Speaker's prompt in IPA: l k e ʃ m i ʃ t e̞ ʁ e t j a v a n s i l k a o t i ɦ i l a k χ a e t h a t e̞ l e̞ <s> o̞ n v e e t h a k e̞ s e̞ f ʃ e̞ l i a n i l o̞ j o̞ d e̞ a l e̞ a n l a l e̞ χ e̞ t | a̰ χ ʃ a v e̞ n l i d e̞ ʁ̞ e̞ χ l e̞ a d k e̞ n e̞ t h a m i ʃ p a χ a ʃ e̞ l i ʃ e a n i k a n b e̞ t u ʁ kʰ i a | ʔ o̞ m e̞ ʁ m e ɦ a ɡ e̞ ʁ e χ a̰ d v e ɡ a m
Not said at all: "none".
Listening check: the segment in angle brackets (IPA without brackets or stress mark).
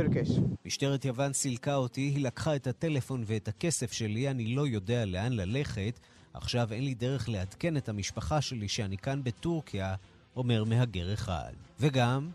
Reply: f